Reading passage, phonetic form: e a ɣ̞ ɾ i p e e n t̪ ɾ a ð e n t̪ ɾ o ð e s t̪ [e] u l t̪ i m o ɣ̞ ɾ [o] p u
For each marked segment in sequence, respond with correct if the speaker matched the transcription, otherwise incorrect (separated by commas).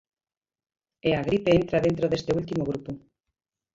correct, incorrect